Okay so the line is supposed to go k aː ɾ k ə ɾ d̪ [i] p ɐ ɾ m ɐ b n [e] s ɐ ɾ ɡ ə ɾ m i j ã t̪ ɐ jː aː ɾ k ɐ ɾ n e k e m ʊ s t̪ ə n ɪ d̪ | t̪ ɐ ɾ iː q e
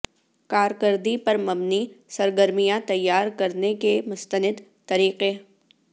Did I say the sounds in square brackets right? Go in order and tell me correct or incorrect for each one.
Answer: correct, incorrect: i

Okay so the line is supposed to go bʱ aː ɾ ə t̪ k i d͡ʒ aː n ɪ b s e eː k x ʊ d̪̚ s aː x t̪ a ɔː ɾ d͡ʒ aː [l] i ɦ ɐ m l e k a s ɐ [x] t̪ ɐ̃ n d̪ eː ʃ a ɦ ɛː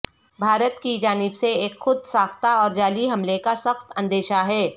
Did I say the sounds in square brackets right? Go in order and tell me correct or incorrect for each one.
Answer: correct, correct

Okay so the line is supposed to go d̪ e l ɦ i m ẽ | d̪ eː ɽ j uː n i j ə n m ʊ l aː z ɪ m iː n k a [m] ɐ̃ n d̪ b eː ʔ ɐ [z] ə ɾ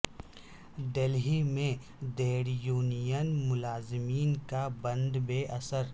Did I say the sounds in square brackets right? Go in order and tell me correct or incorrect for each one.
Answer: incorrect: b, incorrect: s

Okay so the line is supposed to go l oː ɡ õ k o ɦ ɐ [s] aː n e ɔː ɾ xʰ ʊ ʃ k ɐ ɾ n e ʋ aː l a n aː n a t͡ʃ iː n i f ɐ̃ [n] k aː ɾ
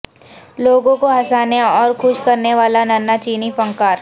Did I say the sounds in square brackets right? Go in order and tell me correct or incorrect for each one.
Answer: correct, incorrect: ŋ

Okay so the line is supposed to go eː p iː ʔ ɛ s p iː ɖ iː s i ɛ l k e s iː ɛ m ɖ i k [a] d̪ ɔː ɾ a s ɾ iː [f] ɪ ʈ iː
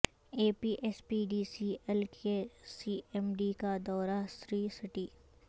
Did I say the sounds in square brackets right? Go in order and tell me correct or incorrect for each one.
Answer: correct, incorrect: s

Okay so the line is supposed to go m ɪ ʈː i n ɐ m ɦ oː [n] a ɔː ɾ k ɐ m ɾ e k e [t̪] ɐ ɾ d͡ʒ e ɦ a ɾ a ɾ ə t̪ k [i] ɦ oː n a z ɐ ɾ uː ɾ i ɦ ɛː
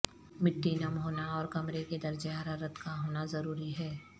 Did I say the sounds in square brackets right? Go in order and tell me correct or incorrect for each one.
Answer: correct, incorrect: d̪, incorrect: a

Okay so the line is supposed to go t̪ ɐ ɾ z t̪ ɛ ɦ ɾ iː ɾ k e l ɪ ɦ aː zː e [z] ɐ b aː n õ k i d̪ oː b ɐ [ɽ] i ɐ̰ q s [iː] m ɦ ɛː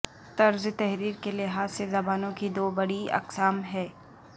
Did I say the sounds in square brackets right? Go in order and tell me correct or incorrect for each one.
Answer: correct, correct, incorrect: aː

